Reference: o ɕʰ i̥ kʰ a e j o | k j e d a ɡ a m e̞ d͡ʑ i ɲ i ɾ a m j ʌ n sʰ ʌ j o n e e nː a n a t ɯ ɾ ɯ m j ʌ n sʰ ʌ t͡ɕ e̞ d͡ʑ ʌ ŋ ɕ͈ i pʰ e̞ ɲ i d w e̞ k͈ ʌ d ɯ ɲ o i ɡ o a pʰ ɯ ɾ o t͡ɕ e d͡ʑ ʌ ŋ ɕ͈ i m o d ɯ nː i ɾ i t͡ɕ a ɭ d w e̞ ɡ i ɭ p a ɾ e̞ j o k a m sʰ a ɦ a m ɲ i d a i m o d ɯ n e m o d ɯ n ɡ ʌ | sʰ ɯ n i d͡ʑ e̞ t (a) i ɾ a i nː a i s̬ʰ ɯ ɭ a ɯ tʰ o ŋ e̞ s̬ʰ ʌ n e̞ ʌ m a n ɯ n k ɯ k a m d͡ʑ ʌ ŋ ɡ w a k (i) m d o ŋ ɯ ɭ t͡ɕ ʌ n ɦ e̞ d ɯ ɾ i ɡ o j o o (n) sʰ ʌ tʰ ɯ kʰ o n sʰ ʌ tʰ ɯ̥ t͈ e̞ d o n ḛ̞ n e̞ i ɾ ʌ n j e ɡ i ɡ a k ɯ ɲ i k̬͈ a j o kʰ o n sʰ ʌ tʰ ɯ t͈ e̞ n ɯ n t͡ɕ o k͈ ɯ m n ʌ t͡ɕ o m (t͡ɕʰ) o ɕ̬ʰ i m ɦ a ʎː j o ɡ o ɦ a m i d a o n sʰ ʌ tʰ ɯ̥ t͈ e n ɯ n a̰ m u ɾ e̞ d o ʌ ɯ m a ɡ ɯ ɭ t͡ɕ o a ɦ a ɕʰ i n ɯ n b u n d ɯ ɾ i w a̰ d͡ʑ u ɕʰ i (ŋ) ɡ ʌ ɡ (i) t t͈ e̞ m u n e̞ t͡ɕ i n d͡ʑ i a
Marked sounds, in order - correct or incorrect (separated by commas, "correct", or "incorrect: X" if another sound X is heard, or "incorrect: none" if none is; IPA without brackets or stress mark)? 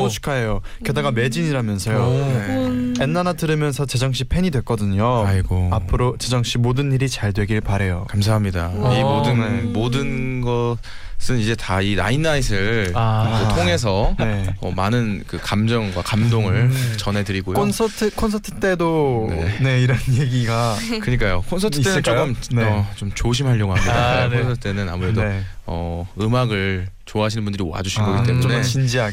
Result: correct, incorrect: a, correct, incorrect: t͡ɕ, incorrect: n, correct